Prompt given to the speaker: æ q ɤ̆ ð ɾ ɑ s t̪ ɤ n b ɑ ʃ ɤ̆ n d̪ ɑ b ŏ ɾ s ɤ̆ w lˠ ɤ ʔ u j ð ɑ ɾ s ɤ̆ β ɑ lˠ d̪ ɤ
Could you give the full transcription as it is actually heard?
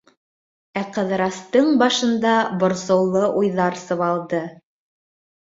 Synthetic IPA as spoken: æ q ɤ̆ ð ɾ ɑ s t̪ ɤ ɴ b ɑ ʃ ɤ̆ n d̪ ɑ b ŏ ɾ s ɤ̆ w lˠ ɤ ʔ u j ð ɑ ɾ s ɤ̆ β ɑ lˠ d̪ ɤ